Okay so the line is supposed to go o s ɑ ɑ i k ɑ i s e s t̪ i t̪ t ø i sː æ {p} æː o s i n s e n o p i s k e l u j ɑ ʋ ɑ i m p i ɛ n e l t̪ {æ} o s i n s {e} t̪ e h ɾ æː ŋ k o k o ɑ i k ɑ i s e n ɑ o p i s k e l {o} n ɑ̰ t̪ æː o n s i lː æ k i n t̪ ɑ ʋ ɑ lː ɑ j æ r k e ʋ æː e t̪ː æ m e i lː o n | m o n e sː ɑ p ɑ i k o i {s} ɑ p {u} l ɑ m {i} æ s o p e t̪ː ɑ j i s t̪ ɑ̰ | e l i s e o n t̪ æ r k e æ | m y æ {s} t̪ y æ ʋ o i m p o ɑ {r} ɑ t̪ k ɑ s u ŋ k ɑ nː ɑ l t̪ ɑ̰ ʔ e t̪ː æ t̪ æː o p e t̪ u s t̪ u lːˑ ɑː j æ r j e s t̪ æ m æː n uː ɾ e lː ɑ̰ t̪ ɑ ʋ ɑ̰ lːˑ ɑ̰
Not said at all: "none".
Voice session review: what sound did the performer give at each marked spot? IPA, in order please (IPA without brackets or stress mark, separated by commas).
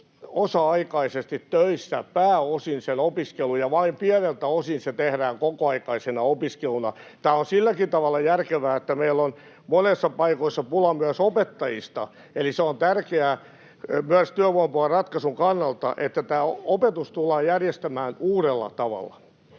p, æ, e, u, sː, u, y, s, r